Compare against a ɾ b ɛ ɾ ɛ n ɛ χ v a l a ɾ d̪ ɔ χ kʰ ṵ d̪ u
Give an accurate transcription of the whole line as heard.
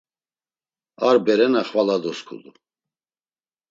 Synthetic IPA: a ɾ b ɛ ɾ ɛ n a χ v a l a d̪ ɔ s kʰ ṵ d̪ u